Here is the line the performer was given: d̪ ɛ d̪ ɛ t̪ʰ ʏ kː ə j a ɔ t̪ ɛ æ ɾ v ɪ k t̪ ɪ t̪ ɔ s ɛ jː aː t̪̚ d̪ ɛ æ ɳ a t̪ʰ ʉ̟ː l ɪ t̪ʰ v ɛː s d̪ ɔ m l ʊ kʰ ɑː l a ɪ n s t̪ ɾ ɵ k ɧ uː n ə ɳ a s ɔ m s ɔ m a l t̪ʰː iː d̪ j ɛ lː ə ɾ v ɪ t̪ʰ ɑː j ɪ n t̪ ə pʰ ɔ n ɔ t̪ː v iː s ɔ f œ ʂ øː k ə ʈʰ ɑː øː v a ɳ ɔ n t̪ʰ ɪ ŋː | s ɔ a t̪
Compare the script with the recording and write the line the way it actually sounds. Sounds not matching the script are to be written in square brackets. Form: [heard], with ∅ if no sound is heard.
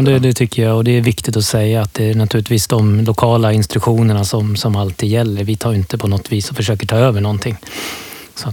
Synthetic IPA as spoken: d̪ ɛ d̪ ɛ t̪ʰ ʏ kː ə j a ɔ [d̪] ɛ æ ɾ v ɪ k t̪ ɪ t̪ ɔ s ɛ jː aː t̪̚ d̪ ɛ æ ɳ a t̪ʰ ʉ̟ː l ɪ [t̪] v [iː] s d̪ ɔ m l ʊ kʰ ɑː l a ɪ n s t̪ ɾ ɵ k ɧ uː n ə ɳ a s ɔ m s ɔ m a l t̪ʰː iː d̪ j ɛ lː ə ɾ v ɪ t̪ʰ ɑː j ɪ n t̪ ə pʰ ɔ n ɔ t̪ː v iː s ɔ f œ ʂ øː k ə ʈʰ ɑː øː v [ə] ɳ ɔ n t̪ʰ ɪ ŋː | s ɔ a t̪